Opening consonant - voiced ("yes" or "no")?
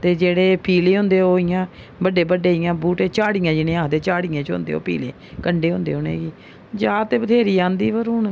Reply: no